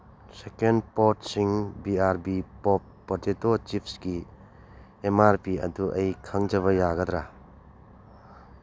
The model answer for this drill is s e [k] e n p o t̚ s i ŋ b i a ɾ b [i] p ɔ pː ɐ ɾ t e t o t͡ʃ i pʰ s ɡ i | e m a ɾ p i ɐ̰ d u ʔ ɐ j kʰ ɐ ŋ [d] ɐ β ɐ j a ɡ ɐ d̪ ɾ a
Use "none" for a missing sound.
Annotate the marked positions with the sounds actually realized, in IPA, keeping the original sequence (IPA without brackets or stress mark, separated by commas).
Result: k, i, d͡ʒ